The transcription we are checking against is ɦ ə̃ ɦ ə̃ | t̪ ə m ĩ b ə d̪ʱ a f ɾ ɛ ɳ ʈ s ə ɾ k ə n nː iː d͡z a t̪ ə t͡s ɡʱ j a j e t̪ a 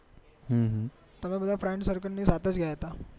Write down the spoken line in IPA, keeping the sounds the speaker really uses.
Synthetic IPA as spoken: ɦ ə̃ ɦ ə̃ | t̪ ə m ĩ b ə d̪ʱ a f ɾ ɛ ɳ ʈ s ə ɾ k ə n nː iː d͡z a t̪ ə t͡s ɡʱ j a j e t̪ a